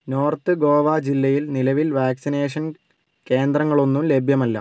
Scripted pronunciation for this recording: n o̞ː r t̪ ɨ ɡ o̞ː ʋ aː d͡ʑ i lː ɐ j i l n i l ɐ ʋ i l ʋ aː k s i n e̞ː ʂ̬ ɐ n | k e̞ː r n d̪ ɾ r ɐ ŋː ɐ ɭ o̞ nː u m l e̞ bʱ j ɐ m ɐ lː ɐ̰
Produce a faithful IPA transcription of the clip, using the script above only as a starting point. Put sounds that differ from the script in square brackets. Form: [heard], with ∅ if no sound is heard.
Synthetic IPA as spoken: n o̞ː r t̪ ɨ ɡ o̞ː ʋ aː d͡ʑ i lː ɐ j i l n i l ɐ ʋ i l ʋ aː k s i n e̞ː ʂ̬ ɐ n | k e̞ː [∅] n d̪ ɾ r ɐ ŋː ɐ ɭ o̞ nː u m l e̞ bʱ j ɐ m ɐ lː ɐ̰

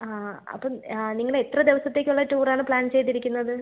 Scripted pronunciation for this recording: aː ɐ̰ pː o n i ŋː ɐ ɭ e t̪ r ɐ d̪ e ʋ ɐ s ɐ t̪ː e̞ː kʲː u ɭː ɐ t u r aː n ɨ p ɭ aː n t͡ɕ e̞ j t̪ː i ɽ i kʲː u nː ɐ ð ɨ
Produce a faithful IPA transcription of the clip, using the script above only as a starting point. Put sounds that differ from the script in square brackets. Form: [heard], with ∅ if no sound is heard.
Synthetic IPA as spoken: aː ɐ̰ pː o n i ŋː ɐ ɭ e t̪ r ɐ d̪ e ʋ ɐ s ɐ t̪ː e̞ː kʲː u ɭː ɐ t [uː] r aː [ɳ] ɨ p ɭ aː n t͡ɕ e̞ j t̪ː i [ɾ] i kʲː u nː ɐ ð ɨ

